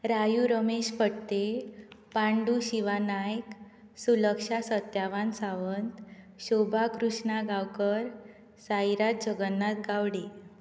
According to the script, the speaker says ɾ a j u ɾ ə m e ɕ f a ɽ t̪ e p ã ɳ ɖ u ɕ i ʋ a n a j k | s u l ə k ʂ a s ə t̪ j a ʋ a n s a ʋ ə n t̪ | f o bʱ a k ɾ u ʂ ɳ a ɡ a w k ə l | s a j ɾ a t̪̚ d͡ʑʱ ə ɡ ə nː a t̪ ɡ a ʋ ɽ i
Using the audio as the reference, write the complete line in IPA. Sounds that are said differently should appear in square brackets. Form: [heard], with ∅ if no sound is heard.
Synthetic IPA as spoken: ɾ a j u ɾ ə m e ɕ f [ə] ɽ t̪ e p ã ɳ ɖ u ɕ i ʋ a n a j k | s u l ə k ʂ a s ə t̪ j a ʋ a n s a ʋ ə n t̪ | [ɕ] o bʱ a k ɾ u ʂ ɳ a ɡ a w k ə [ɾ] | s a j ɾ a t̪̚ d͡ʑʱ ə ɡ ə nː a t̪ ɡ a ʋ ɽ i